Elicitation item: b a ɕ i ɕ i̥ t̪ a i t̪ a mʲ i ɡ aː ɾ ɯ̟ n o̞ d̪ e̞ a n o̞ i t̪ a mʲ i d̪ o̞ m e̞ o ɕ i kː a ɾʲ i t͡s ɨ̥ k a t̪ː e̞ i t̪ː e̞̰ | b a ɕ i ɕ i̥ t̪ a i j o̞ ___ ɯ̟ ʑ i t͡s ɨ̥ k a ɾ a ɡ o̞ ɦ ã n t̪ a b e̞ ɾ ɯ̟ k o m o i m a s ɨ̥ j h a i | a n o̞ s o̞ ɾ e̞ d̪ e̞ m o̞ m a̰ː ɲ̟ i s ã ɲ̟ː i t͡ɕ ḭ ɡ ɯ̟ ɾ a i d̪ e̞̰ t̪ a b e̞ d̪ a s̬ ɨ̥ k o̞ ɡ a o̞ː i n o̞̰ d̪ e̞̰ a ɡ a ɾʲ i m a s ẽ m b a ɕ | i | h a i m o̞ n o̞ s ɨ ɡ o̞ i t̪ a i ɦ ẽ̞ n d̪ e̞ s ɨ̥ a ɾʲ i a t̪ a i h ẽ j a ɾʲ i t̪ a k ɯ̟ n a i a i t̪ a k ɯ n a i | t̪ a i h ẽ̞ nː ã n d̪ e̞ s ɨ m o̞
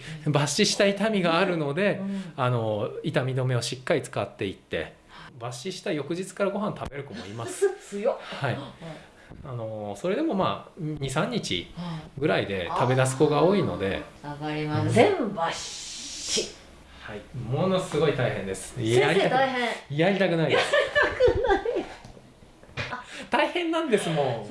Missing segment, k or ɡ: k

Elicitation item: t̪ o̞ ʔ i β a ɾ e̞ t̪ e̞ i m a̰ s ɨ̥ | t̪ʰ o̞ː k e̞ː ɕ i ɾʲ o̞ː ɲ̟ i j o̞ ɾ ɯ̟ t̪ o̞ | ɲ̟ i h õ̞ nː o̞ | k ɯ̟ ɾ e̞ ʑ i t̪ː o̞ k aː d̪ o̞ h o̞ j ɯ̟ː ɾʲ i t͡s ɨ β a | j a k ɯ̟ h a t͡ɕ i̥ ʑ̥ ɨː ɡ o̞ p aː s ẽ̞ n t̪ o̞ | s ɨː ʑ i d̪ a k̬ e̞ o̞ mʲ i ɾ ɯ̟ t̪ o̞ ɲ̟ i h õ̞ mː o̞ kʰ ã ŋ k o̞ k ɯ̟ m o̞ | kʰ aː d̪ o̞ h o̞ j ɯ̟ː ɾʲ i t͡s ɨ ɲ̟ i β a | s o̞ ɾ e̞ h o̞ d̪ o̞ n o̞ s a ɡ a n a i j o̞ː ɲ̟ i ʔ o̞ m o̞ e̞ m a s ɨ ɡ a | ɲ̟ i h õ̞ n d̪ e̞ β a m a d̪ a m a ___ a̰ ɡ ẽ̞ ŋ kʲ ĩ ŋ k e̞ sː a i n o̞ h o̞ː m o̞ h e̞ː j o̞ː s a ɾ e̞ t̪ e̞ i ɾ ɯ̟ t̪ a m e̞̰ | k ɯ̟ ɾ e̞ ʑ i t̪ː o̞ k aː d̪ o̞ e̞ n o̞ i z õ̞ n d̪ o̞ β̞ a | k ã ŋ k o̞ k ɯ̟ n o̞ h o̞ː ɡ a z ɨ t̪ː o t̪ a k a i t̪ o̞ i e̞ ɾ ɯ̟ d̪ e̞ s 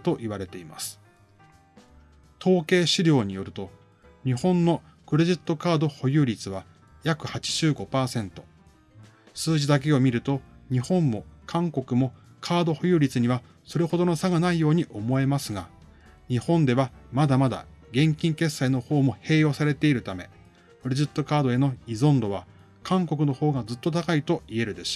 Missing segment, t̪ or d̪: d̪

